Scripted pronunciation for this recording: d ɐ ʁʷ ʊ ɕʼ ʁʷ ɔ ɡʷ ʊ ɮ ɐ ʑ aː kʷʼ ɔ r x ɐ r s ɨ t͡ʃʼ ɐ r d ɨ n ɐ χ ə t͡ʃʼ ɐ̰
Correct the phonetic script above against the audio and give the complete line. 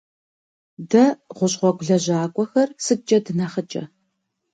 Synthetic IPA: d ɐ ʁʷ ʊ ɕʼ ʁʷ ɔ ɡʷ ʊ ɮ ɐ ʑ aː kʷʼ ɔ x ɐ r s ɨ t͡ʃʼ ɐ d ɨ n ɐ χ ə t͡ʃʼ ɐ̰